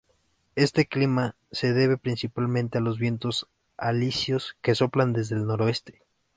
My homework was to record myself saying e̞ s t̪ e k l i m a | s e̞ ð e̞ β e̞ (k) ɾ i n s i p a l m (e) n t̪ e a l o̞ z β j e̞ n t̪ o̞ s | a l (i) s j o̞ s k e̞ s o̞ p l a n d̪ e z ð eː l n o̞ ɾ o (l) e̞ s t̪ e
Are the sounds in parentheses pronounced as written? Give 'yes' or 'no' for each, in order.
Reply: no, no, yes, no

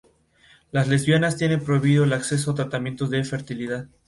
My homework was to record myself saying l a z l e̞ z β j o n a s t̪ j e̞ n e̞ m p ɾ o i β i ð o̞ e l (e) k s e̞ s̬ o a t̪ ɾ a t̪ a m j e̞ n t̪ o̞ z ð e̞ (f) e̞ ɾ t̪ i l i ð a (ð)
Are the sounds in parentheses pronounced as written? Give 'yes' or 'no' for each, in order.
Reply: no, yes, yes

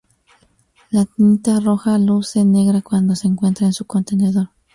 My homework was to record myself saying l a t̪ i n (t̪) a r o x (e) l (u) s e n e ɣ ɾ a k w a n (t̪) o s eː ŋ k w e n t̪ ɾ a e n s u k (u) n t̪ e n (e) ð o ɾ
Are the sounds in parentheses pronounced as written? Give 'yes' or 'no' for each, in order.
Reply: yes, no, yes, no, no, yes

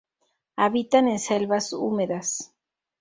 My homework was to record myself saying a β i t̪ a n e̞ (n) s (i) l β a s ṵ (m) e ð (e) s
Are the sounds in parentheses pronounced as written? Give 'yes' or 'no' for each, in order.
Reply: yes, no, yes, no

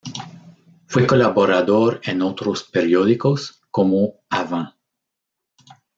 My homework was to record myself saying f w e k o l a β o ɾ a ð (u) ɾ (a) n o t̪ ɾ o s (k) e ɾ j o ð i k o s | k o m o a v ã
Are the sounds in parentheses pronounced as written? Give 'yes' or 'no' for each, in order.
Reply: no, no, no

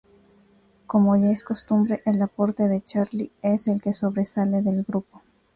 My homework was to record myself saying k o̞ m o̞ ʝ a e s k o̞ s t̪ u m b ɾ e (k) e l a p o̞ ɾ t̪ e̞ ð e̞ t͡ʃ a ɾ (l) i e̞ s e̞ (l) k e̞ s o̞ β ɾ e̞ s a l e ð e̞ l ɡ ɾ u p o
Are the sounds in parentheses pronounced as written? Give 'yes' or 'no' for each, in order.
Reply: no, yes, yes

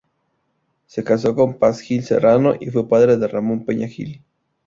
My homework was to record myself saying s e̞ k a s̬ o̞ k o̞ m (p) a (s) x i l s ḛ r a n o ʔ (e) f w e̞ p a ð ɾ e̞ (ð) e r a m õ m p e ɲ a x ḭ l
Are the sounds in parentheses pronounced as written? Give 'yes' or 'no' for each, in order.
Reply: yes, yes, no, yes

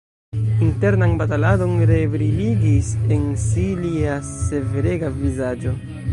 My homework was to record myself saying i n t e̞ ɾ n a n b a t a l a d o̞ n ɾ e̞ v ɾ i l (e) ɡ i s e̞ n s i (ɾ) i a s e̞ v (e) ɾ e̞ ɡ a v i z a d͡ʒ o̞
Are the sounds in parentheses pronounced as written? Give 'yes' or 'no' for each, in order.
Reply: no, no, yes

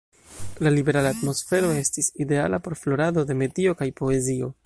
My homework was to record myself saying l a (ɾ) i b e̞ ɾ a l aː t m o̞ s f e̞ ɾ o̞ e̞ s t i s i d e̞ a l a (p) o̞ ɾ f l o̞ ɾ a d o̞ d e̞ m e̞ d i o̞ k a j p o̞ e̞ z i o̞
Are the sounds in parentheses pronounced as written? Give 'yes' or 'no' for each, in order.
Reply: no, yes

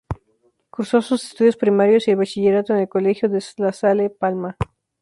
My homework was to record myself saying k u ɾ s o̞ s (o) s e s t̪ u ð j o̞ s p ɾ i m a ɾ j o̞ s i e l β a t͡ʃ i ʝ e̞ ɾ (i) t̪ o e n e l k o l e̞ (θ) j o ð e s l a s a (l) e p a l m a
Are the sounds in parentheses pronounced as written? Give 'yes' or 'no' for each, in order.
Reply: no, no, no, yes

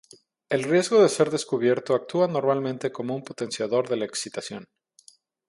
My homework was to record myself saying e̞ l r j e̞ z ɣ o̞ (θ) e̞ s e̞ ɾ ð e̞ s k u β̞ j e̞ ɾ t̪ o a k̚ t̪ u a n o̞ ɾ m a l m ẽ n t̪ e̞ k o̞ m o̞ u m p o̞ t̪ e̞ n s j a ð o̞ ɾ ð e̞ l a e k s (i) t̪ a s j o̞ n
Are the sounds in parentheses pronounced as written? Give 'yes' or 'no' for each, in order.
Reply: no, yes

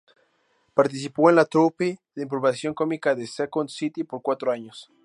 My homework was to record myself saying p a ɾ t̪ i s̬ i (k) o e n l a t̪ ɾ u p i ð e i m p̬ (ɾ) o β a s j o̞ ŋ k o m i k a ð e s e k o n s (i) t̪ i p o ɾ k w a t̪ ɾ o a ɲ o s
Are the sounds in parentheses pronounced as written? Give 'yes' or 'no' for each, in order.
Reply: no, yes, yes

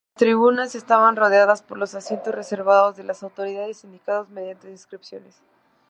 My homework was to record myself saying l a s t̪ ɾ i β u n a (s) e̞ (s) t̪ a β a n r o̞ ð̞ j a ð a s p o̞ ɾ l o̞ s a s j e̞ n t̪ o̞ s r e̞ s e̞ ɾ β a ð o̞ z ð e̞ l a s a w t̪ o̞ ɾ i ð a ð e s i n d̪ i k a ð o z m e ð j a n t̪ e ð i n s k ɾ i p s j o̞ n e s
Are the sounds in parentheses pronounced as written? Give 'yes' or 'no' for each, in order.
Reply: yes, yes

